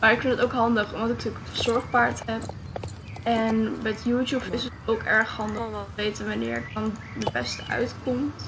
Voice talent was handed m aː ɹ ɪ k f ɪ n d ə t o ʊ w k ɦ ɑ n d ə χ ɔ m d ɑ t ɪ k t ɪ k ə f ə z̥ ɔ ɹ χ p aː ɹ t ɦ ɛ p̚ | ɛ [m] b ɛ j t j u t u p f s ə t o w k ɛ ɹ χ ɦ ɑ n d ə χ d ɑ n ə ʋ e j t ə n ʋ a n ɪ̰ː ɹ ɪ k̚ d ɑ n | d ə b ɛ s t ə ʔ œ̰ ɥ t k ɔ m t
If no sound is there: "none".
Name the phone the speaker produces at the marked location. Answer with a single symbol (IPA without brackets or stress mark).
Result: n